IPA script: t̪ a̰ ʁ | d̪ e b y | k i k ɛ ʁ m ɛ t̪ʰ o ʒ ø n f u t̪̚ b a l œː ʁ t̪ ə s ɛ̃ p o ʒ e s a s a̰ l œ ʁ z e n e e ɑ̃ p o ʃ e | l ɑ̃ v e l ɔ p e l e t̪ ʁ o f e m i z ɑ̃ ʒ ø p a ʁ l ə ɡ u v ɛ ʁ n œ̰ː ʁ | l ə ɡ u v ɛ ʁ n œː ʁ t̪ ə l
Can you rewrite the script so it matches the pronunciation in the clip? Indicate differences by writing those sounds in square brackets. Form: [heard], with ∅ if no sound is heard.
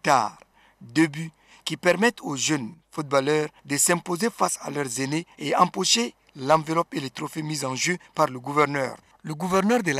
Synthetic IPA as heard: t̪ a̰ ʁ | d̪ e b y | k i [p] ɛ ʁ m ɛ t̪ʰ o ʒ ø n f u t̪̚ b a l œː ʁ [d̪] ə s ɛ̃ p o [z] e [f] a s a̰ l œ ʁ z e n e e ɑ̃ p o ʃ e | l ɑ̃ v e l ɔ p e l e t̪ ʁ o f e m i z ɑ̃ ʒ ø p a ʁ l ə ɡ u v ɛ ʁ n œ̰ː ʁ | l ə ɡ u v ɛ ʁ n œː ʁ [d̪] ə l

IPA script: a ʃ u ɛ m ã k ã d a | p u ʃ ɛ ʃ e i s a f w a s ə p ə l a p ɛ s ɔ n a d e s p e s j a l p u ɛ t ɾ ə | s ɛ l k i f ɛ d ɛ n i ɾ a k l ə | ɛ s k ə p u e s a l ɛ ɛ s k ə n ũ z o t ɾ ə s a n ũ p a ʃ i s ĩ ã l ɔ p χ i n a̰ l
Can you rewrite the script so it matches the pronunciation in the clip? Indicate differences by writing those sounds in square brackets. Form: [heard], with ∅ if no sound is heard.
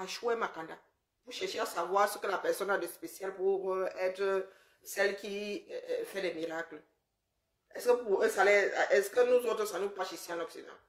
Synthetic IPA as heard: a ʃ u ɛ m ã k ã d a | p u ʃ ɛ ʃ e [a] s a [v] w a s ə [k] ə l a p ɛ s ɔ n a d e s p e s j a l p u ɛ t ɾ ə | s ɛ l k i f ɛ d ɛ [m] i ɾ a k l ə | ɛ s k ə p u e s a l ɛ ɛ s k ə n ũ z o t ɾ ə s a n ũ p a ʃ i s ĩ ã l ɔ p [s] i n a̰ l

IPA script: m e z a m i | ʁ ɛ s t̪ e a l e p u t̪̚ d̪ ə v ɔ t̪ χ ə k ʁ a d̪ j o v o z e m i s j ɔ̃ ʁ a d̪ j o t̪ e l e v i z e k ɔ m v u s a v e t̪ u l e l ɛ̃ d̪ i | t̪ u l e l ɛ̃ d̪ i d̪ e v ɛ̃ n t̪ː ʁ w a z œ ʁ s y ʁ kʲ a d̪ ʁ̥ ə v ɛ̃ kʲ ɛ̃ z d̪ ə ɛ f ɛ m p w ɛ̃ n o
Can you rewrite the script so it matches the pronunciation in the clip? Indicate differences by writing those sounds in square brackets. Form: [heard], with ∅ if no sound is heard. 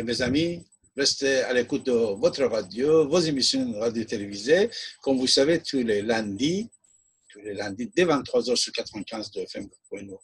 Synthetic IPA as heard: m e z a m i | ʁ ɛ s t̪ e a l e [k] u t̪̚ d̪ ə v ɔ t̪ χ ə [∅] ʁ a d̪ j o v o z e m i s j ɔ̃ ʁ a d̪ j o t̪ e l e v i z e k ɔ m v u s a v e t̪ u l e l ɛ̃ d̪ i | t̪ u l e l ɛ̃ d̪ i d̪ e v ɛ̃ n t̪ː [χ] w a z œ ʁ s y ʁ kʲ a [t̪] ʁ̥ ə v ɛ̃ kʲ ɛ̃ z d̪ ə ɛ f ɛ m p w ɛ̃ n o

